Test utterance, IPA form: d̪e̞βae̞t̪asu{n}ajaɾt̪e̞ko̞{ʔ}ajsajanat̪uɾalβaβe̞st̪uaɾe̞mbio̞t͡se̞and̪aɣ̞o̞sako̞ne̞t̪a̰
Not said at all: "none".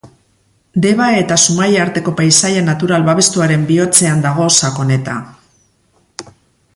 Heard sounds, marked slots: m, p

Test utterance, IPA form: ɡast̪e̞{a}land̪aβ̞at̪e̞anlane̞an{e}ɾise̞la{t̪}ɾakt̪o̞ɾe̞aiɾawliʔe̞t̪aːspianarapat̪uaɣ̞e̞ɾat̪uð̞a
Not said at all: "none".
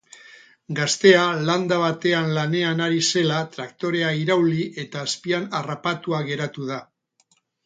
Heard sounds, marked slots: a, a, t̪

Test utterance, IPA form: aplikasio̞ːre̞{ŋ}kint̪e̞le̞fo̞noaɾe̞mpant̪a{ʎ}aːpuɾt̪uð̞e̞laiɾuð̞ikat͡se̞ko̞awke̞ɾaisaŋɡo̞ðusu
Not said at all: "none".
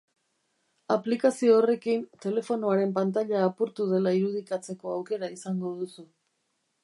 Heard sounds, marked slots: none, ʎ

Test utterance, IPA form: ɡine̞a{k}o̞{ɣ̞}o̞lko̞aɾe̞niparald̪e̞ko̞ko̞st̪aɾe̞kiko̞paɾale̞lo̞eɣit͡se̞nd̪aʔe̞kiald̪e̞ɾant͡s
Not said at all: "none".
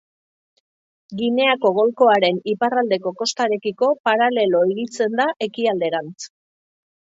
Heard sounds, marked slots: k, ɣ̞

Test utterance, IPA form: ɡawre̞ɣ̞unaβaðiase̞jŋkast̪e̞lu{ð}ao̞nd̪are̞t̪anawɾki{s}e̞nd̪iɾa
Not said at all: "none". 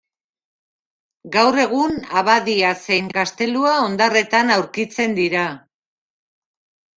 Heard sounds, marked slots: none, t͡s

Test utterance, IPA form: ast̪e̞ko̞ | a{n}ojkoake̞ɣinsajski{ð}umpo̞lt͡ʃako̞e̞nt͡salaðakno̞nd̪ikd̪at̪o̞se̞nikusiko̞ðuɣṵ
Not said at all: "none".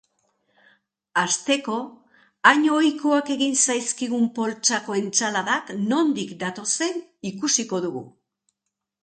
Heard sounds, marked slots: ɲ, ɣ

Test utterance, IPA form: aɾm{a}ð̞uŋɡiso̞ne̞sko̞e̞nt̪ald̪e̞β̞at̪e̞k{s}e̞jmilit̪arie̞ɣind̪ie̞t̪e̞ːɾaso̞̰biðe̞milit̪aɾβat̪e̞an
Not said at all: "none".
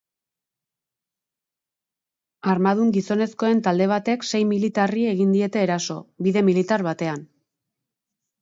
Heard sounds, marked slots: a, s

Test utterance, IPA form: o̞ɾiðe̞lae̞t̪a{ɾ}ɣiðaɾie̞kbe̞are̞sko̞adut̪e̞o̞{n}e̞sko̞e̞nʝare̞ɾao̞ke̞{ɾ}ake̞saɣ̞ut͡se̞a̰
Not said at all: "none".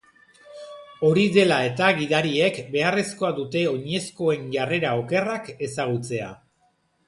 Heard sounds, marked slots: none, ɲ, r

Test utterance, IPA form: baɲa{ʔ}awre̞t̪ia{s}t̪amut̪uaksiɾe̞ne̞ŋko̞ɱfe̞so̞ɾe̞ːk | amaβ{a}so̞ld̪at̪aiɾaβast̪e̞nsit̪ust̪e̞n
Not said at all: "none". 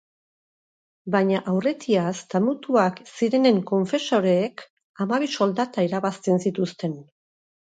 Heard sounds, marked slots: ʔ, s, i

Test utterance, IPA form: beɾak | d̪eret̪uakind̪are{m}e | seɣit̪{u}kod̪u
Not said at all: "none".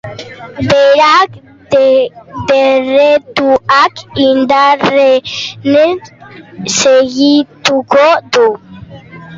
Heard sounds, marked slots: n, u

